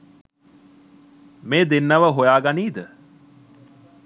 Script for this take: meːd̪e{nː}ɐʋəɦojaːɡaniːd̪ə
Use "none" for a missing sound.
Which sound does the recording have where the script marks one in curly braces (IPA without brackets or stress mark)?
nː